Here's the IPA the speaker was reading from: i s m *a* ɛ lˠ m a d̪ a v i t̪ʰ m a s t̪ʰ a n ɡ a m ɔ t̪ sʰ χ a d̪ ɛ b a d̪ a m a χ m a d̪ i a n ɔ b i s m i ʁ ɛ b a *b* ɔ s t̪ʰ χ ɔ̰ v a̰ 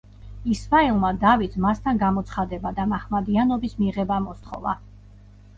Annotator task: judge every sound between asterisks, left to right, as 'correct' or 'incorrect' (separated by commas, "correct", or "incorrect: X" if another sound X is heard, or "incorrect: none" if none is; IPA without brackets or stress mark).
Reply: correct, incorrect: m